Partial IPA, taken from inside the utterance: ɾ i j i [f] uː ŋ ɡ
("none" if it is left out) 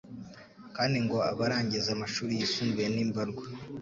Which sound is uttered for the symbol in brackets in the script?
s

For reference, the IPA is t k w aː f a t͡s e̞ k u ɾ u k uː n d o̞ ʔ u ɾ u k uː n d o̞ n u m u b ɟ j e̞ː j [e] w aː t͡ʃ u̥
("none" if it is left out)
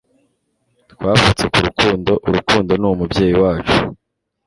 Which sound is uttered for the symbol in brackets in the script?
i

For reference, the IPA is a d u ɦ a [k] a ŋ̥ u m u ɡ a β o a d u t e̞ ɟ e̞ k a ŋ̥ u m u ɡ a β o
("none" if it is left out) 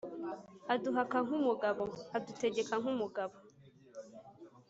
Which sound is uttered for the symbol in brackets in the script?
k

